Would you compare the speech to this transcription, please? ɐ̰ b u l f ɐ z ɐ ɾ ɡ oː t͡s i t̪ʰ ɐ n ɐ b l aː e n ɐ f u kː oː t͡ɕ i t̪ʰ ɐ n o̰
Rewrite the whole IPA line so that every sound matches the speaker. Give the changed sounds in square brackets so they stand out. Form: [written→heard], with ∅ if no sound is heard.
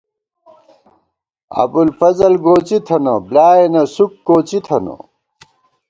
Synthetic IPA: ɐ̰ b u l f ɐ z ɐ [ɾ→l] ɡ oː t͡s i t̪ʰ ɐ n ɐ b l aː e n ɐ [f→s] u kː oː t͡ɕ i t̪ʰ ɐ n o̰